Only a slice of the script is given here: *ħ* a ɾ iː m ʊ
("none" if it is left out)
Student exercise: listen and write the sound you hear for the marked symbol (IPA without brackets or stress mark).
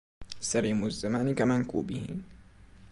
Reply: s